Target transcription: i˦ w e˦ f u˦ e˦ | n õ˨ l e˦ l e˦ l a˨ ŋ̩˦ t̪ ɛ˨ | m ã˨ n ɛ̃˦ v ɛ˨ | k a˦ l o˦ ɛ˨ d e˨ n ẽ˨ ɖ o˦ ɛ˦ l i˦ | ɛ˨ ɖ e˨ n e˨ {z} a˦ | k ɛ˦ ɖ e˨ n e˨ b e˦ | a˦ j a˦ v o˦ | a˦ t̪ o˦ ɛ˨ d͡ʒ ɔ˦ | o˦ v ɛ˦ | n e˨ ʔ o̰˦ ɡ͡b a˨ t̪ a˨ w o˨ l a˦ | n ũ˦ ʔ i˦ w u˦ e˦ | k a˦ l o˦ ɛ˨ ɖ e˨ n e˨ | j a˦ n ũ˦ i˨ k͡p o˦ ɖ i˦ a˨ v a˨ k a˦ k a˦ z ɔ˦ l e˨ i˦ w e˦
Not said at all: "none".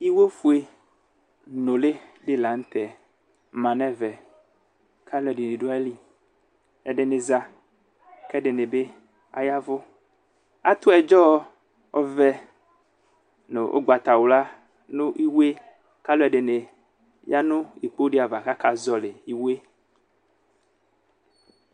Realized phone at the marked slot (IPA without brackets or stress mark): z